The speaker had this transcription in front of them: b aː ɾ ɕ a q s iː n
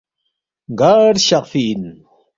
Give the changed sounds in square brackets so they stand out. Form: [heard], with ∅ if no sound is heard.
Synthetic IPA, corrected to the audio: [ɡ] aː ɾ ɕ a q [f] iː n

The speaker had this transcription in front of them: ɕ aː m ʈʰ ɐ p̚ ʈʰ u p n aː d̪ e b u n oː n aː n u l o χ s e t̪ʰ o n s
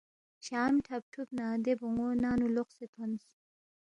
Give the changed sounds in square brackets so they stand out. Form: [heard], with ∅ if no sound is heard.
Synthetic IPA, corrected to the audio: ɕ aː m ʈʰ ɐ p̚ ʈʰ u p n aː d̪ e b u [ŋ] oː n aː n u l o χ s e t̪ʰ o n s

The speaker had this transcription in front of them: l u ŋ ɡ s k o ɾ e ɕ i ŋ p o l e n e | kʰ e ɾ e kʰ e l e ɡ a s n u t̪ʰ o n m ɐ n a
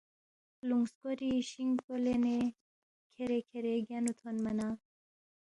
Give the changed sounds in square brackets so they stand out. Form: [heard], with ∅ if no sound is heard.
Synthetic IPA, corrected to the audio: l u ŋ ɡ s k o ɾ [i] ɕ i ŋ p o l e n e | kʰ e ɾ e kʰ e [ɾ] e ɡ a [∅] n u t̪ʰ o n m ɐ n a

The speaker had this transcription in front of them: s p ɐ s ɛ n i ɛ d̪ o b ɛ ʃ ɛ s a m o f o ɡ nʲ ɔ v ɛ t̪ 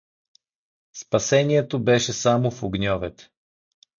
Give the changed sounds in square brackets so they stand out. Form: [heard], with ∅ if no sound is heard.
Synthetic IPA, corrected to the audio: s p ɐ s ɛ n i ɛ [t̪] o b ɛ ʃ ɛ s a m o f o ɡ nʲ ɔ v ɛ t̪

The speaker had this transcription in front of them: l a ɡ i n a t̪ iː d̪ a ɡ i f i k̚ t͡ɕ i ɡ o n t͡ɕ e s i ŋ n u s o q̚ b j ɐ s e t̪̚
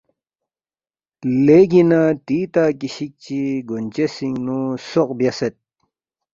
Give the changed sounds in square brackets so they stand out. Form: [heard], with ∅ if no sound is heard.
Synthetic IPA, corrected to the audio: l [e] ɡ i n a t̪ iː [t̪] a [k] i [ɕ] i k̚ t͡ɕ i ɡ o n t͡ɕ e s i ŋ n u s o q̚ b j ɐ s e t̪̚

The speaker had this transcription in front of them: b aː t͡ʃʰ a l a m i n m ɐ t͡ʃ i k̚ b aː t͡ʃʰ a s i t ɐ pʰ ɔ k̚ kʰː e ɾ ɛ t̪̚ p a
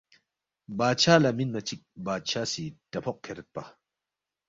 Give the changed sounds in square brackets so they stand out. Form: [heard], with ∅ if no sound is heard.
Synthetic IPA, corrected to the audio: b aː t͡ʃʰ a l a m i n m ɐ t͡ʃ i k̚ b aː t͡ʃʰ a s i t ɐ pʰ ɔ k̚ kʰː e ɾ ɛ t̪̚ p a

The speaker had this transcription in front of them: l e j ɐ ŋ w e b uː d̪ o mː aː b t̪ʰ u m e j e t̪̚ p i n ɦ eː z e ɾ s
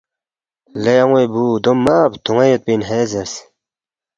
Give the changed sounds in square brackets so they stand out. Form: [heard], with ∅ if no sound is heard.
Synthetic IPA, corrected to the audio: l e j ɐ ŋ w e b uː d̪ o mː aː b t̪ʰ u [ŋ] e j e t̪̚ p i n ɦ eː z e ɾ s

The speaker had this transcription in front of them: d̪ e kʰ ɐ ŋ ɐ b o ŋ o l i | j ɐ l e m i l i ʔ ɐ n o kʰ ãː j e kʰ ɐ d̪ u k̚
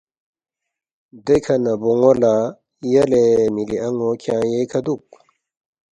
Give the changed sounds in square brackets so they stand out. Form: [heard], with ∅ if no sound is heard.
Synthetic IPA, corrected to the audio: d̪ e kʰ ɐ [n] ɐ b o ŋ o l [a] | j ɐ l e m i l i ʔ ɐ [ŋ] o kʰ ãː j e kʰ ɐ d̪ u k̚

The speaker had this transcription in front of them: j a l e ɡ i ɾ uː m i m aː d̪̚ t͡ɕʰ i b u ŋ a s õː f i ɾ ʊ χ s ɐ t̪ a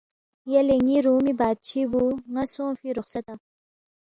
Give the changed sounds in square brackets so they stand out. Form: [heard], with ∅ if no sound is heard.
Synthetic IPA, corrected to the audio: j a l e [ŋ] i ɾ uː m i [b] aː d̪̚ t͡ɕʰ i b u ŋ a s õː f i ɾ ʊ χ s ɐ t̪ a

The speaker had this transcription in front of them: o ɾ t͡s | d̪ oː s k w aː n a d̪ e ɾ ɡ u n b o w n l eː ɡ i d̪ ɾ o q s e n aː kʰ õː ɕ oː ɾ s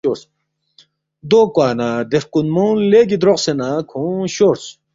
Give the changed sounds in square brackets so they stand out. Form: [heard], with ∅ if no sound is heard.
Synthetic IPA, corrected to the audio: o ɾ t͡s | d̪ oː [∅] k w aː n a d̪ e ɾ [k] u n [m] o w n l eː ɡ i d̪ ɾ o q s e n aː kʰ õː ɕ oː ɾ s

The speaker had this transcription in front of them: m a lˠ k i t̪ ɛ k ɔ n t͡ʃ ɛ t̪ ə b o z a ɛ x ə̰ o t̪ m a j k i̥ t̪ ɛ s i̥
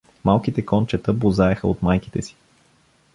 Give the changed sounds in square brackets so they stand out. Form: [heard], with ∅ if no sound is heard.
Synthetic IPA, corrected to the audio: m a lˠ k i t̪ ɛ k ɔ n t͡ʃ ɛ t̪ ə b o z a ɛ x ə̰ o t̪ m a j k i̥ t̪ ɛ s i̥

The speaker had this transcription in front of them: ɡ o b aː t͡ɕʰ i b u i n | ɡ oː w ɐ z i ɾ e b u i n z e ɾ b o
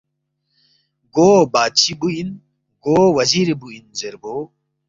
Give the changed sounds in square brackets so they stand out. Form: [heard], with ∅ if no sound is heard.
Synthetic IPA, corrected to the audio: ɡ o b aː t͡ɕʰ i b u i n | ɡ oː w ɐ z i ɾ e b u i n z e ɾ b o

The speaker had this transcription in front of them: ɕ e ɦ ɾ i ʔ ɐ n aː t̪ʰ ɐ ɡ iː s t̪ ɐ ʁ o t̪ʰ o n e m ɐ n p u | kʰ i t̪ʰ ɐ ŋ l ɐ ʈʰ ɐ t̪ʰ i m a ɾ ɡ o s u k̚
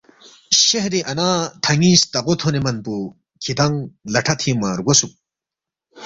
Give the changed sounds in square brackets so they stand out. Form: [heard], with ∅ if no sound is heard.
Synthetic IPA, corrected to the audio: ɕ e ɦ ɾ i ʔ ɐ n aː t̪ʰ ɐ [ŋ] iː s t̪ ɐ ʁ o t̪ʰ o n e m ɐ n p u | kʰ i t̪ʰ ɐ ŋ l ɐ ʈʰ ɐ t̪ʰ i m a ɾ ɡ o s u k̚

